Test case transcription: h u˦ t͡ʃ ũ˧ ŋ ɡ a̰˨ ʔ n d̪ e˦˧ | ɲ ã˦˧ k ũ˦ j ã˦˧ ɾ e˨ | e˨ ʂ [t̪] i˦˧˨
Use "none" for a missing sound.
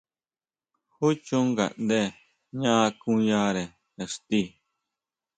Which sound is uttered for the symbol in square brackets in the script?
t̪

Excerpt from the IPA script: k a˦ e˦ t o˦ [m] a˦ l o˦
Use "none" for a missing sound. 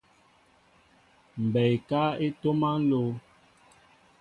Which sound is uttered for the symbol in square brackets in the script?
m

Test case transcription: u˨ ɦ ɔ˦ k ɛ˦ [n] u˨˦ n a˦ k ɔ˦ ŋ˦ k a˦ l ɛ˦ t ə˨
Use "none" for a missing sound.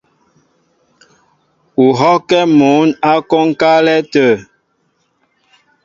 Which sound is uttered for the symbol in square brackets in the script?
m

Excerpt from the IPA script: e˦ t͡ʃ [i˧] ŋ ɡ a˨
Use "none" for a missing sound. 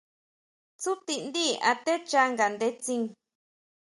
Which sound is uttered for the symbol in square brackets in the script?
a˧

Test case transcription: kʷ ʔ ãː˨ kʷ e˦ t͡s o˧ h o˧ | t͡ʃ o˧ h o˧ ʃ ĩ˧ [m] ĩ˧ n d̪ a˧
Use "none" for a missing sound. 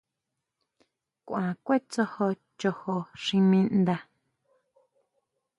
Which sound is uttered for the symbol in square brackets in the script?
m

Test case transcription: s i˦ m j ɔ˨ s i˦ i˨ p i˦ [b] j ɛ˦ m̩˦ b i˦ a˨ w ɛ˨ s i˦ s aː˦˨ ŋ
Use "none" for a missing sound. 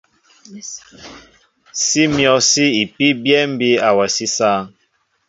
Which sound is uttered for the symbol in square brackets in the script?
b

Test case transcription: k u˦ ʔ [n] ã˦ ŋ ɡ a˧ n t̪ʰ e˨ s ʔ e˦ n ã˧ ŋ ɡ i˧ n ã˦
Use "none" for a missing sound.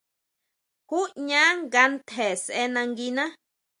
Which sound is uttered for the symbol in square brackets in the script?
ɲ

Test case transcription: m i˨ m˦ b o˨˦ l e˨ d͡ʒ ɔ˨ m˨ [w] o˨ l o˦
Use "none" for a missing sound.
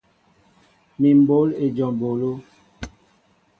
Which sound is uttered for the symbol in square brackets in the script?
b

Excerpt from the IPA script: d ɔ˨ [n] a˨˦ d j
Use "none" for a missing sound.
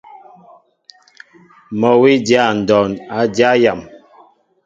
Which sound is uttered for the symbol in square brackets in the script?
n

